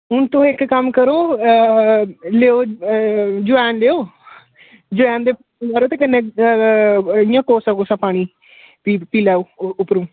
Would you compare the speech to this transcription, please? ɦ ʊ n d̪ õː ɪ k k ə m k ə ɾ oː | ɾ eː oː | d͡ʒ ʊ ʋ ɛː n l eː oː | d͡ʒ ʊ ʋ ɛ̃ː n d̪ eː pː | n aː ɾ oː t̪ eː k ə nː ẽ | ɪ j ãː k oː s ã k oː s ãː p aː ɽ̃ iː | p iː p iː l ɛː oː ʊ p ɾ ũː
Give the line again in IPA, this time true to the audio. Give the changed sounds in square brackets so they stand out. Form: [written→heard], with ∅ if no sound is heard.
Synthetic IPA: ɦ ʊ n [d̪→t̪] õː ɪ k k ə m k ə ɾ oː | [ɾ→l] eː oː | d͡ʒ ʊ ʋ ɛː n l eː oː | d͡ʒ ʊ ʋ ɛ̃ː n d̪ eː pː | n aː ɾ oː t̪ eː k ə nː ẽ | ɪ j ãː k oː s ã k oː s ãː p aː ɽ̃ iː | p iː p iː l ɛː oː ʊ p ɾ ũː